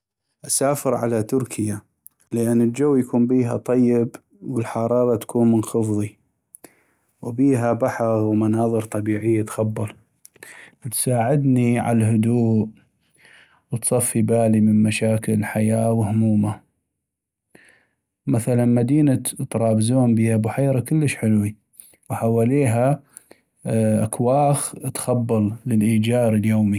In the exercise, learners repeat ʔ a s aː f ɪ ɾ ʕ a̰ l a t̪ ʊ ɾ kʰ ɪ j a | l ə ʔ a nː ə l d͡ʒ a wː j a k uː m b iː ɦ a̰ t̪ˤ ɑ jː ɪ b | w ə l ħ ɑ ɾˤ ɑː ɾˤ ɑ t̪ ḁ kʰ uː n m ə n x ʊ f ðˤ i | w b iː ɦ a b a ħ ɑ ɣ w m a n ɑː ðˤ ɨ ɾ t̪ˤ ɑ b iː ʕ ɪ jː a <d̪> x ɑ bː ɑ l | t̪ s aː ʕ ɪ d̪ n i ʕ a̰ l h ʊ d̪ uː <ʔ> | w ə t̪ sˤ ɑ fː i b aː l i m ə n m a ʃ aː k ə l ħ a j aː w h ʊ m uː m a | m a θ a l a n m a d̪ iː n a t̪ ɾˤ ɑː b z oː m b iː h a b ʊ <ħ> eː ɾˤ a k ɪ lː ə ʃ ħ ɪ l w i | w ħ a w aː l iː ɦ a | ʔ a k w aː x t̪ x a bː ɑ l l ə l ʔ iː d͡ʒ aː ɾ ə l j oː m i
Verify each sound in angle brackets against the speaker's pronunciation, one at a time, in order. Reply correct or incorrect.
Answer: incorrect: t̪, correct, correct

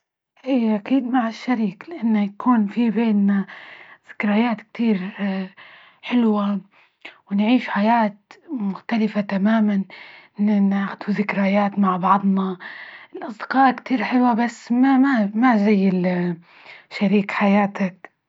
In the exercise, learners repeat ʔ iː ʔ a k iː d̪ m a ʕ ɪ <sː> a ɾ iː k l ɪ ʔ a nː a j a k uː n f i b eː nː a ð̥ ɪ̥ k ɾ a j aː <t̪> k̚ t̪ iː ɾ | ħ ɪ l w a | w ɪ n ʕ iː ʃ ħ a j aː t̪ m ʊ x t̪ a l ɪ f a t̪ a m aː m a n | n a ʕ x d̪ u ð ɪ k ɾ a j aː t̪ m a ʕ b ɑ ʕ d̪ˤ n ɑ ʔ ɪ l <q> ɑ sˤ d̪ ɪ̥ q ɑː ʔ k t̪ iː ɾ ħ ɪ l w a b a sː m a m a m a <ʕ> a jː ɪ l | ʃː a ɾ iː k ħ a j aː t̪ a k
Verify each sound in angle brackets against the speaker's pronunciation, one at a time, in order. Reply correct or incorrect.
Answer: incorrect: ʃː, correct, incorrect: ʔ, incorrect: z

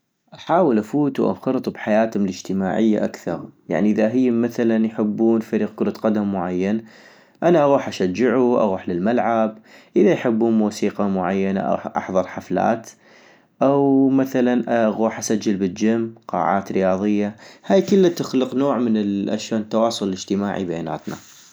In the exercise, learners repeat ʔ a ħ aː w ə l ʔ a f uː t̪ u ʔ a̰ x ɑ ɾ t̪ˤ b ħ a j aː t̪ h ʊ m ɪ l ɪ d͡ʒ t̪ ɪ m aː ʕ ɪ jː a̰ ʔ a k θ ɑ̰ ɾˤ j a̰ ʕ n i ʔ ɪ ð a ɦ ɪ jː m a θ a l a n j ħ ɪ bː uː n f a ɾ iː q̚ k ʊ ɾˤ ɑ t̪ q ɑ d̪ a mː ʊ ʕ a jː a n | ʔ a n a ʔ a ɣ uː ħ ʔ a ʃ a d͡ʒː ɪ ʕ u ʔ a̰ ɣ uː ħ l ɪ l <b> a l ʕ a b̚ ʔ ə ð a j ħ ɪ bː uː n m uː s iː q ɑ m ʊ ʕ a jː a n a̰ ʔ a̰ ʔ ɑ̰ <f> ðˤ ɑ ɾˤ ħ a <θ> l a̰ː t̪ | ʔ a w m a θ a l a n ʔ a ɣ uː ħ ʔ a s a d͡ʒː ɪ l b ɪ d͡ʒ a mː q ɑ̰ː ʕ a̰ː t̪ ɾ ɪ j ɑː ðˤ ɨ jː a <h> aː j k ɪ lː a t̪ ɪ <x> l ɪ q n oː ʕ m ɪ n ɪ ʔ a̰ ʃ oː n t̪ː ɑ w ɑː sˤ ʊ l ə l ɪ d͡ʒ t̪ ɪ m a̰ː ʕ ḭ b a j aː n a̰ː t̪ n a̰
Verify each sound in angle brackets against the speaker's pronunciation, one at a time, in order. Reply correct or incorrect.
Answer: incorrect: m, incorrect: ħ, incorrect: f, correct, correct

